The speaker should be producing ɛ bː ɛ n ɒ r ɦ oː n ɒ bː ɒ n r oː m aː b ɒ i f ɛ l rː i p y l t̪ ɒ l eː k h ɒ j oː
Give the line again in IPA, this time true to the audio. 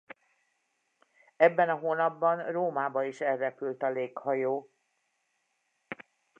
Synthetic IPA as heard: ɛ bː ɛ n ɒ ɦ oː n ɒ bː ɒ n r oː m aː b ɒ i ʃ ɛ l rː ɛ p y l t̪ ɒ l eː k h ɒ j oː